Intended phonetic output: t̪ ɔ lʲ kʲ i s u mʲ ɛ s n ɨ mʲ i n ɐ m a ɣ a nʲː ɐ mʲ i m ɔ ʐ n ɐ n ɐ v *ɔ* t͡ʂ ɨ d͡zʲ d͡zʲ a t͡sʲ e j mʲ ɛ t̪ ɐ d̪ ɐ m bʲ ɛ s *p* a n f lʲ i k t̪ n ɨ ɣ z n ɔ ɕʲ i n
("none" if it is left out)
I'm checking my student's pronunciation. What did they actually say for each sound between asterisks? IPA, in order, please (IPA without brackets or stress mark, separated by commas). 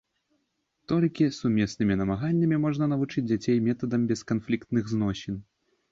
u, k